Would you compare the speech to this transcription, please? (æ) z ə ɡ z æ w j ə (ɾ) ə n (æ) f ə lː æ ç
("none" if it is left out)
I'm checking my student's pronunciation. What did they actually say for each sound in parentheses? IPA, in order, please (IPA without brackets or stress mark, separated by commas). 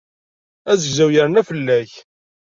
æ, ɾ, æ